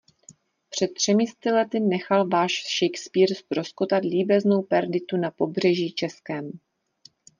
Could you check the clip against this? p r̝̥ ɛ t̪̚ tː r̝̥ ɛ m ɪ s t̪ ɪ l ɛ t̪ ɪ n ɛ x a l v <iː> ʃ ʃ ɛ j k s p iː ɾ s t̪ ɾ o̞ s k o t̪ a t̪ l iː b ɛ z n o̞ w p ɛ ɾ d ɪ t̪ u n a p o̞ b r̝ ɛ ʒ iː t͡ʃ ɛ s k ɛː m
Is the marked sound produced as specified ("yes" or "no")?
no